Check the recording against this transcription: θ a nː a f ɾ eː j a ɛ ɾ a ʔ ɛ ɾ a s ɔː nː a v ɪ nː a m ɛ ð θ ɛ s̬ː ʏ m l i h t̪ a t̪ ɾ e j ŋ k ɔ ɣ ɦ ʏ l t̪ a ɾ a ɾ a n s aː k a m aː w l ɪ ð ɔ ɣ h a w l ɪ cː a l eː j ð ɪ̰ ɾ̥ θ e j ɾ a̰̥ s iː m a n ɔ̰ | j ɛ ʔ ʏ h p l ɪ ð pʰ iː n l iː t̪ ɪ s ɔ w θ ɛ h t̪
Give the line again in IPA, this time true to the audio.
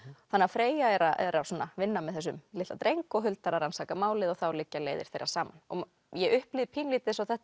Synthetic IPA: θ a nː a f ɾ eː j a ɛ ɾ a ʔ ɛ ɾ a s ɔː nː a v ɪ nː a m ɛ ð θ ɛ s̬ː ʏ m l ɪ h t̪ a t̪ ɾ e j ŋ k ɔ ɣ ɦ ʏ l t̪ a ɾ a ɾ a n s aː k a m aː w l ɪ ð ɔ ɣ θ a w l ɪ cː a l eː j ð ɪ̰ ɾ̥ θ e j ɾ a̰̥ s aː m a n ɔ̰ | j ɛ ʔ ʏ h p l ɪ ð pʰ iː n l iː t̪ ɪ s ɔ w θ ɛ h t̪